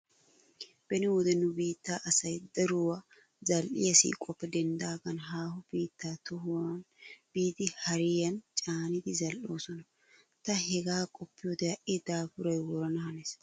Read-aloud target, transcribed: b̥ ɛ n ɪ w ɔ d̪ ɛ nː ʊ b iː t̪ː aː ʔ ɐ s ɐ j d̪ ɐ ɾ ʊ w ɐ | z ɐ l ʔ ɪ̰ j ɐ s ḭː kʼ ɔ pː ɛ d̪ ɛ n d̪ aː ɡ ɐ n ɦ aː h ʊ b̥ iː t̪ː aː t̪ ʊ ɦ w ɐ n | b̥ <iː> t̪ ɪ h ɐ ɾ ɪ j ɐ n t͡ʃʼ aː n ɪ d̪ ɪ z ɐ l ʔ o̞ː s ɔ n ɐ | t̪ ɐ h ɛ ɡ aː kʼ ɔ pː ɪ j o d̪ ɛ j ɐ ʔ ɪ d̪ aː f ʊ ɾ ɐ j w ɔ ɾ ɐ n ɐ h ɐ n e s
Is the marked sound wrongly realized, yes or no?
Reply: no